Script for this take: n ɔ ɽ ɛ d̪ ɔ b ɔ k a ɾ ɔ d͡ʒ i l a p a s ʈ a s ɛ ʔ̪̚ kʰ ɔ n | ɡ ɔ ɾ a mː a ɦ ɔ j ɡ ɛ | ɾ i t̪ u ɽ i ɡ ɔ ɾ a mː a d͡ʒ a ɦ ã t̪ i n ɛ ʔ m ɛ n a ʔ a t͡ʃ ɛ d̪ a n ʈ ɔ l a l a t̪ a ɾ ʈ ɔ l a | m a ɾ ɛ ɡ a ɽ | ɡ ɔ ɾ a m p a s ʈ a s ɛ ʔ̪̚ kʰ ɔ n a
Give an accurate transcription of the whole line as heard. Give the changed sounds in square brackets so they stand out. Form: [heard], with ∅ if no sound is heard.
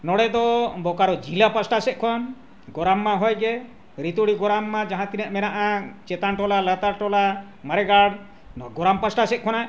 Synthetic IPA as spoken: n ɔ ɽ ɛ d̪ ɔ b ɔ k a ɾ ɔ d͡ʒ i l a p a s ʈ a s ɛ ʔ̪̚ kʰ ɔ n | ɡ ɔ ɾ a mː a ɦ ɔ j ɡ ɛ | ɾ i t̪ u ɽ i ɡ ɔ ɾ a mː a d͡ʒ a ɦ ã t̪ i n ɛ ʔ m ɛ n a ʔ a t͡ʃ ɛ [t̪] a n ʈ ɔ l a l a t̪ a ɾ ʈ ɔ l a | m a ɾ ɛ ɡ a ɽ | ɡ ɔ ɾ a m p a s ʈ a s ɛ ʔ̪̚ kʰ ɔ n a